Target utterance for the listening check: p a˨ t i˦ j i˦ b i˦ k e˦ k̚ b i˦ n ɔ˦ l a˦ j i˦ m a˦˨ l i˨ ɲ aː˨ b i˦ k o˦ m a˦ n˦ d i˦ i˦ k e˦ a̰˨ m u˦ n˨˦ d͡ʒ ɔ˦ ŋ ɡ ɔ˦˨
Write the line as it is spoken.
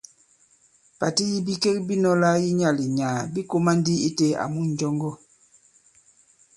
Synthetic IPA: p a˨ t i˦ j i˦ b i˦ k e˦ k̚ b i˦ n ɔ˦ l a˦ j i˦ ɲ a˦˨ l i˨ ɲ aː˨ b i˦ k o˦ m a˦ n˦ d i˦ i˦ t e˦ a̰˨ m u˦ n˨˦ d͡ʒ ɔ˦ ŋ ɡ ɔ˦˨

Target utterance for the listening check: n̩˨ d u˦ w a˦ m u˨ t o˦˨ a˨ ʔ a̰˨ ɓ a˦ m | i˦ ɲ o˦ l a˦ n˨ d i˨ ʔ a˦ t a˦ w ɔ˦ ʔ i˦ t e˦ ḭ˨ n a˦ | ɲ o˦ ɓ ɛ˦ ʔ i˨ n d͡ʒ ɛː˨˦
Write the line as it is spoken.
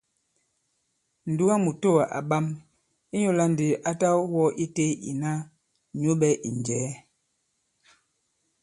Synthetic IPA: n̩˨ d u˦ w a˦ m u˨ t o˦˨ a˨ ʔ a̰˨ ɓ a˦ m | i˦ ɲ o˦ l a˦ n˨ d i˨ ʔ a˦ t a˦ w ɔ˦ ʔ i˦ t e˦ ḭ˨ n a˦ | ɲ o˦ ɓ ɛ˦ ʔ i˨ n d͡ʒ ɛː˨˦

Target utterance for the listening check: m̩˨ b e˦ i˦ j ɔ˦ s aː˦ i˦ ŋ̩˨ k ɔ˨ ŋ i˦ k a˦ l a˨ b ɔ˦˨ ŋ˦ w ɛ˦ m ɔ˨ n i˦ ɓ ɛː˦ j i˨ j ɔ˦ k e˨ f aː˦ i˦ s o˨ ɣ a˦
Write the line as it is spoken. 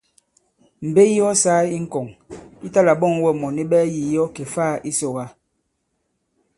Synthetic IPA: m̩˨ b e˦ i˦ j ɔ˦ s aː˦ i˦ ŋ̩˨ k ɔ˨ ŋ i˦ t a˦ l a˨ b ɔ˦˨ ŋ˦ w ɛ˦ m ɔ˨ n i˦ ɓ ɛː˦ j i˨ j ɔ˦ k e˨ f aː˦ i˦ s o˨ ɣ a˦

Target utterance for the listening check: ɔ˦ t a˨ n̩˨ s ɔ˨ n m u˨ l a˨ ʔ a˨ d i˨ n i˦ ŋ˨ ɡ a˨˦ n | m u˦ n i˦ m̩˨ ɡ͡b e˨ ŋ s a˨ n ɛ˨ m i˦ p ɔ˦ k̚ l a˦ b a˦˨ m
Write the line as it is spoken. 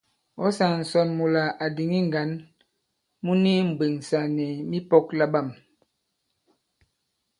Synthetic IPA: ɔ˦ s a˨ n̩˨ s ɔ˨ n m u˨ l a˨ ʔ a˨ d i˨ ŋ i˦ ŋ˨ ɡ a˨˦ n | m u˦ n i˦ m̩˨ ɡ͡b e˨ ŋ s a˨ n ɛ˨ m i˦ p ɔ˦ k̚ l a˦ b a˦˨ m

